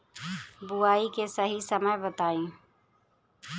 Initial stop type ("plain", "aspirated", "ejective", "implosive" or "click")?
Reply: plain